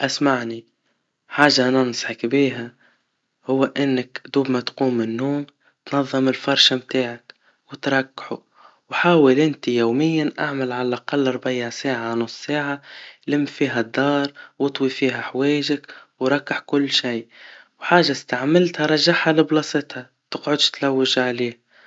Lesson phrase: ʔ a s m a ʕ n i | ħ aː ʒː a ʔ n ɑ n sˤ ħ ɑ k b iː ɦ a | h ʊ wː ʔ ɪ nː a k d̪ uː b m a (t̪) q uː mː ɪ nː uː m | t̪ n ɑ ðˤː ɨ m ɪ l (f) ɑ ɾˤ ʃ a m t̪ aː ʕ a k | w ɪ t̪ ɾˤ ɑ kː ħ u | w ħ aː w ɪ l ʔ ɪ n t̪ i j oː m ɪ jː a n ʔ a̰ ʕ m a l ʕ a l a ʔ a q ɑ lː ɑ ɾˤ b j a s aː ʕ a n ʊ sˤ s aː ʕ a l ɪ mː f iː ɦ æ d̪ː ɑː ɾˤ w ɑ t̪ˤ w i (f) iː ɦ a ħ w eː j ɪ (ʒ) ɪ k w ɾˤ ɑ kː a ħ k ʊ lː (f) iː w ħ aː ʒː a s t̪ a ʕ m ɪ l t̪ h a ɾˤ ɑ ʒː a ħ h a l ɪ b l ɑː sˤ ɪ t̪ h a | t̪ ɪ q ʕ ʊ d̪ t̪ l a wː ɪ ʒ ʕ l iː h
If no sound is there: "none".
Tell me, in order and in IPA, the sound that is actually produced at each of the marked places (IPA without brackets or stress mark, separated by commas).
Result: t̪, f, f, ʒ, ʃ